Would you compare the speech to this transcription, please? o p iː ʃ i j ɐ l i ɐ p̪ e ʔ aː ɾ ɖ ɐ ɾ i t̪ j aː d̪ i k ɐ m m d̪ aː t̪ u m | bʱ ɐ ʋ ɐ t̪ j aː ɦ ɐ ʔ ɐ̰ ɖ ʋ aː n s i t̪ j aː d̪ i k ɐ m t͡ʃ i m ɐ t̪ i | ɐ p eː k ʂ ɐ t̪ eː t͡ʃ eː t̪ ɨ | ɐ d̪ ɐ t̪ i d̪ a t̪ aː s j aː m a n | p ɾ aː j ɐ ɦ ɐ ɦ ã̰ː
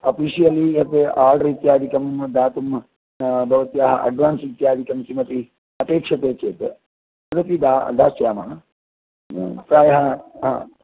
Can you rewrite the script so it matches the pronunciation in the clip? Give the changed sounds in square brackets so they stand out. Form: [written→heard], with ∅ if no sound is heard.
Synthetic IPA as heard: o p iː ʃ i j ɐ l i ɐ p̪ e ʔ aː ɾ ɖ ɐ ɾ i t̪ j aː d̪ i k ɐ m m d̪ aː t̪ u m | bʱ ɐ ʋ ɐ t̪ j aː ɦ ɐ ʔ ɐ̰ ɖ ʋ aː n s i t̪ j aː d̪ i k ɐ m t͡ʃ i m ɐ t̪ i | ɐ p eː k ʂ ɐ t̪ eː t͡ʃ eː t̪ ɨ | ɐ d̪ ɐ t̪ i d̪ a [t̪→d̪] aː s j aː m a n | p ɾ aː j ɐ ɦ ɐ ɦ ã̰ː